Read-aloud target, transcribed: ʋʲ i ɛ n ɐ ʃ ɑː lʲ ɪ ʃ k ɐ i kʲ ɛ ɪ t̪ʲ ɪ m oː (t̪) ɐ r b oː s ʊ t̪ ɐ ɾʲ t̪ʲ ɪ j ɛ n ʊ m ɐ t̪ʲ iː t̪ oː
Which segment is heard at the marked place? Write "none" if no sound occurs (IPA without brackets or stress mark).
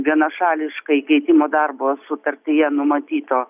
d̪